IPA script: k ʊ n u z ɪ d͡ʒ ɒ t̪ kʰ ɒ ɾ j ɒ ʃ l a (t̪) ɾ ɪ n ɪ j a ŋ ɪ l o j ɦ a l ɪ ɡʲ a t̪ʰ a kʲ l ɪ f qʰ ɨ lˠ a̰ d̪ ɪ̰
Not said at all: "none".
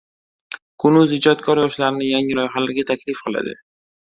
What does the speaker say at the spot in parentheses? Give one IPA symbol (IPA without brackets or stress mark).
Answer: none